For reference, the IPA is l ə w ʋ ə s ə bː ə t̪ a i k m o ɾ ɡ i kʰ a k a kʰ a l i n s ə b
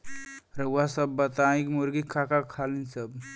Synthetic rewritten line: ɾ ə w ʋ a s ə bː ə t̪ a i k m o ɾ ɡ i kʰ a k a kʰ a l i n s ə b